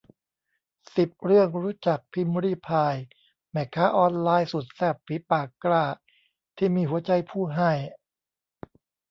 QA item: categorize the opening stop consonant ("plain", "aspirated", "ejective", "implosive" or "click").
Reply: plain